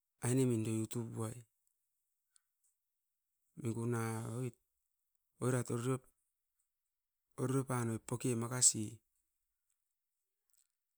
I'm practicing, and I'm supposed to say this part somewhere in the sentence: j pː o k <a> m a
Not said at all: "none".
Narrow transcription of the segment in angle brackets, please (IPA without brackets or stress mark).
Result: e